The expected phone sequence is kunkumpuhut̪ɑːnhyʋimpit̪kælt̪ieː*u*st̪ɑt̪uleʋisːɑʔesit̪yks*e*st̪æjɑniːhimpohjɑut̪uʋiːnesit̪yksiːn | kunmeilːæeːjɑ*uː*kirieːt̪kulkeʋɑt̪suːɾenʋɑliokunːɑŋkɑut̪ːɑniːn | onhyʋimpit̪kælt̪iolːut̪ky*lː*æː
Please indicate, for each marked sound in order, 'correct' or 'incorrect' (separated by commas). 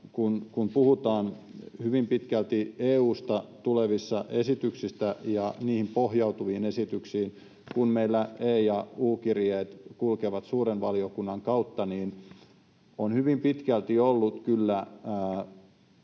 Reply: incorrect, incorrect, correct, correct